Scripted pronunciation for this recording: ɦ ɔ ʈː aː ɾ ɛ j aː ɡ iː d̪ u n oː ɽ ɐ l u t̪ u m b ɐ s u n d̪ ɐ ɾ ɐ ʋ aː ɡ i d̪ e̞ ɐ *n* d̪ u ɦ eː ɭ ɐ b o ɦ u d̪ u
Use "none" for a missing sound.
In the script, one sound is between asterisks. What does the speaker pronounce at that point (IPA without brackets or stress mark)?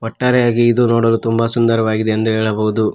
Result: n